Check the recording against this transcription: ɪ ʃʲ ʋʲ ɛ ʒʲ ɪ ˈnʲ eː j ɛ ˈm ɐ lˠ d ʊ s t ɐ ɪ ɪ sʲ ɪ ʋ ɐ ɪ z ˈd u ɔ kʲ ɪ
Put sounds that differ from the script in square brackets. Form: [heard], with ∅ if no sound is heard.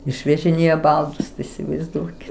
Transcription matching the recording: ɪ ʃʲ ʋʲ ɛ ʒʲ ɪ ˈnʲ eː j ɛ [ˈb] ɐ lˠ d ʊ s t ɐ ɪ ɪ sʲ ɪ ʋ ɐ ɪ z ˈd u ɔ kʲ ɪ